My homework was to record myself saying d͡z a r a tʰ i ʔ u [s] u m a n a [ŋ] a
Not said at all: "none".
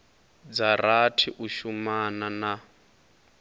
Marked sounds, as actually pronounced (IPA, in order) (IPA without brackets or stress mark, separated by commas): ʃ, n